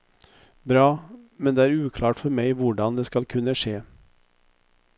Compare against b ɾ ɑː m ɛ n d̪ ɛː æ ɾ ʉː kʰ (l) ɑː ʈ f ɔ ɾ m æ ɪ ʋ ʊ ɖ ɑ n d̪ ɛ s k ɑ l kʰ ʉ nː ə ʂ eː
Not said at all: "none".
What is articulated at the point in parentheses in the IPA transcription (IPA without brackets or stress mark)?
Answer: l